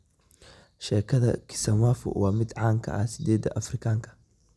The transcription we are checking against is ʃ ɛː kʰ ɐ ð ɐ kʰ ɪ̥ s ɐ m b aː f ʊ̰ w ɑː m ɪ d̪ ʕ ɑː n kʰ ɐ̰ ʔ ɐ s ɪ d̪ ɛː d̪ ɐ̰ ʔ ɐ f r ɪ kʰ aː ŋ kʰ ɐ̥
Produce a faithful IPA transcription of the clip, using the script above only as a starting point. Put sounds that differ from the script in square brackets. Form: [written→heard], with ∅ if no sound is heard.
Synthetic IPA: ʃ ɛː kʰ ɐ ð ɐ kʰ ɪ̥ s ɐ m [b→w] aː f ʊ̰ w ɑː m ɪ d̪ ʕ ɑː [n→ŋ] kʰ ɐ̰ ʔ ɐ s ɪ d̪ ɛː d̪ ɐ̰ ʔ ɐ f r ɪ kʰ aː ŋ kʰ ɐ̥